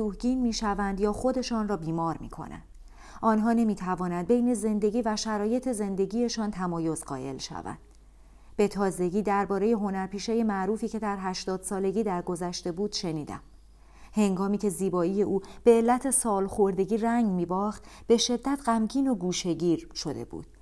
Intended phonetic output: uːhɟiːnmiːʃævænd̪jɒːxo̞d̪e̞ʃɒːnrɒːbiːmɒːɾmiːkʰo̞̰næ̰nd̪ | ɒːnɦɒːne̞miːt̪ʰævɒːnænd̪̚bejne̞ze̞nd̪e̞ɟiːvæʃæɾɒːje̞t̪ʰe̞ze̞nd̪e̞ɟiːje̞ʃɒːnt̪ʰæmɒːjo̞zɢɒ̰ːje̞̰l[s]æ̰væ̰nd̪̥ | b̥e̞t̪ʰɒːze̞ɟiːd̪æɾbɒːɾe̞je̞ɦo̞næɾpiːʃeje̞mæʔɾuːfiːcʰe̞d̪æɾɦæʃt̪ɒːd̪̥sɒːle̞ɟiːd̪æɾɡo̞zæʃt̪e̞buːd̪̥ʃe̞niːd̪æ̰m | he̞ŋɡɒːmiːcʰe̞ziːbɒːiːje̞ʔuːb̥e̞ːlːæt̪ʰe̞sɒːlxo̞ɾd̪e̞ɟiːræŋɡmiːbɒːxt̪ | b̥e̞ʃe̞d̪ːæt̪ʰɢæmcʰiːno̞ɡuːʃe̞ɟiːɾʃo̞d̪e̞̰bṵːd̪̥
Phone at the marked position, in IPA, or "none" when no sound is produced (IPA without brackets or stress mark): ʃ